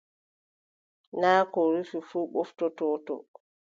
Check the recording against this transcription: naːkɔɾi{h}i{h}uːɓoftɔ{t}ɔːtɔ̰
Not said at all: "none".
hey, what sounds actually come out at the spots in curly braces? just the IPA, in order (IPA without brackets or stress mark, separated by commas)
f, f, t